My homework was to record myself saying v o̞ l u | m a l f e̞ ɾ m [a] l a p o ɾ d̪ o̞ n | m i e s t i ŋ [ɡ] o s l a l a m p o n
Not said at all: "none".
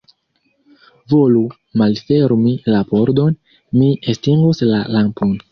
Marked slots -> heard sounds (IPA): i, ɡ

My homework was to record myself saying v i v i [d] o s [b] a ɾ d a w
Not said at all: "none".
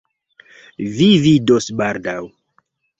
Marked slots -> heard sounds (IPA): d, b

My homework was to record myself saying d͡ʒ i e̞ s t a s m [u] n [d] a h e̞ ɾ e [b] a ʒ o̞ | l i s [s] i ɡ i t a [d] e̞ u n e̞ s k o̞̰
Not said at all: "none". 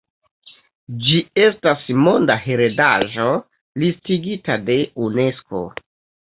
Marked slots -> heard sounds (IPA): o, d, d, t, d

